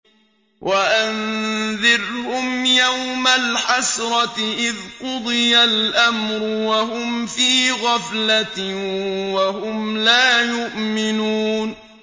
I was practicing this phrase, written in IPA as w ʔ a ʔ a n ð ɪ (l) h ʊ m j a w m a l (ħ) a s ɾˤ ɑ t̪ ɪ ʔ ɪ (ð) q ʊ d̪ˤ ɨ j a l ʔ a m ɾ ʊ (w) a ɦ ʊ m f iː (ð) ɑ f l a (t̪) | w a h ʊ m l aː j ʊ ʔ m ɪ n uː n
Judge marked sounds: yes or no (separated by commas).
no, yes, yes, yes, no, yes